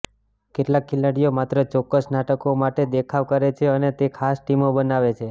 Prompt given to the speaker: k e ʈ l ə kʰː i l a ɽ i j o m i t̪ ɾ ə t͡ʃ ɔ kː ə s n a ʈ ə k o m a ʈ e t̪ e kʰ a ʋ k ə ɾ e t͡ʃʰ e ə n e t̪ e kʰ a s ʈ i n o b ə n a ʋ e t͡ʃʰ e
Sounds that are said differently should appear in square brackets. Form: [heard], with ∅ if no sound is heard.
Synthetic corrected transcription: k e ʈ l [a] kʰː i l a ɽ i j o m [a] t̪ ɾ ə t͡ʃ ɔ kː ə s n a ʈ ə k o m a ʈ e [d̪] e kʰ a ʋ k ə ɾ e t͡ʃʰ e ə n e t̪ e kʰ a s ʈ i [m] o b ə n a ʋ e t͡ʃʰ e